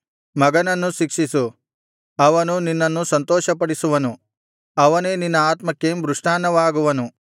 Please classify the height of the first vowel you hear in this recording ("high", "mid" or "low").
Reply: low